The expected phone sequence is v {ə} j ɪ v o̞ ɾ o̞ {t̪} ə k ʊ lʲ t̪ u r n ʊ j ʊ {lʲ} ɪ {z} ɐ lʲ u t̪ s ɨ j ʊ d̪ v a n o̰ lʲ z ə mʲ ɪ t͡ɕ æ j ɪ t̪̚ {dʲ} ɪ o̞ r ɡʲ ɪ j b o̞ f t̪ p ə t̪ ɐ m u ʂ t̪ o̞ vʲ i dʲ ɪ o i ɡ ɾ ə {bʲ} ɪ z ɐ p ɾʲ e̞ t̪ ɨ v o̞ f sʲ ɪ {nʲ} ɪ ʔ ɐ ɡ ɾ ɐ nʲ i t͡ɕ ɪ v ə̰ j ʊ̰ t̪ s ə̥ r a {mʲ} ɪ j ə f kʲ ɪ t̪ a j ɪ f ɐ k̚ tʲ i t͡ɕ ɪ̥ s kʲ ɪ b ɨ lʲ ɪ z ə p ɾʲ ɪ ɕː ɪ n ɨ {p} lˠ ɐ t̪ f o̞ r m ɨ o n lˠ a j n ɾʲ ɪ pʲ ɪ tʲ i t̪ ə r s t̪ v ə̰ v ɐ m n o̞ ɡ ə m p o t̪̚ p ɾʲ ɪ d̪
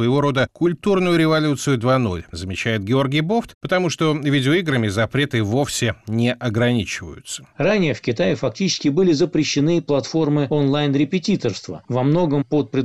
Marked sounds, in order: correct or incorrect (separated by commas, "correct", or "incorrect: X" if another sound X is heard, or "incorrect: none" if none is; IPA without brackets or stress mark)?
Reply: correct, incorrect: d̪, incorrect: ɾʲ, incorrect: v, incorrect: ɡʲ, incorrect: mʲ, correct, incorrect: nʲ, correct